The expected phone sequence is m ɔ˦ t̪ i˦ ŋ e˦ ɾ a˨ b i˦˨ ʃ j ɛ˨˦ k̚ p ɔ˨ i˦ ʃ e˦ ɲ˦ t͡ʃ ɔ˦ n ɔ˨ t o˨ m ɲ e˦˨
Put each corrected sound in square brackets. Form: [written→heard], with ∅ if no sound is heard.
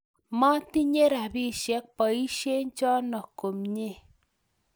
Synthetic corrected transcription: m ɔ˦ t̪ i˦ [ŋ→ɲ] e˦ ɾ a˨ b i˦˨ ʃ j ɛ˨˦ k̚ p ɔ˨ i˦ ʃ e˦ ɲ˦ t͡ʃ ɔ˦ n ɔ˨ [t→k] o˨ m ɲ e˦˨